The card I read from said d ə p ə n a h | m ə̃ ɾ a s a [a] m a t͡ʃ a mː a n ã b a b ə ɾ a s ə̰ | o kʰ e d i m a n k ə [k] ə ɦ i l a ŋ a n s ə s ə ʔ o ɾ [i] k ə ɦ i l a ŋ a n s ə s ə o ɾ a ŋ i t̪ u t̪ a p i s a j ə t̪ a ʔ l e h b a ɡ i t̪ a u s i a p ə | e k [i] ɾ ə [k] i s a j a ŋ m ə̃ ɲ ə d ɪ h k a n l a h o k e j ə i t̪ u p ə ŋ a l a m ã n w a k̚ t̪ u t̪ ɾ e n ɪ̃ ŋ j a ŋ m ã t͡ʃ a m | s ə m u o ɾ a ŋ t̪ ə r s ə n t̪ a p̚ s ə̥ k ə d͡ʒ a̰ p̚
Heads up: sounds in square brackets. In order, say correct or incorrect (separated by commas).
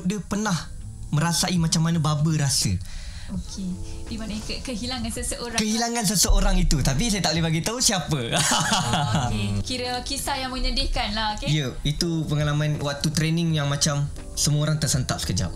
incorrect, correct, incorrect, correct, correct